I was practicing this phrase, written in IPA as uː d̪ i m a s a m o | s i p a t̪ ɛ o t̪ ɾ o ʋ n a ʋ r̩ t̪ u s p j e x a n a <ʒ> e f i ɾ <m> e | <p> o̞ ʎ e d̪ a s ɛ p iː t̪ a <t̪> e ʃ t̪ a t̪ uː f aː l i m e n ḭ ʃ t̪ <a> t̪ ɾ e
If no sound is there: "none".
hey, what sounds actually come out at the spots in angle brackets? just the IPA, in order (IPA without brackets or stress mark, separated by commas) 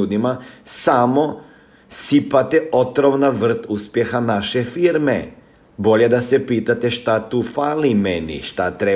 ʃ, m, b, t̪, a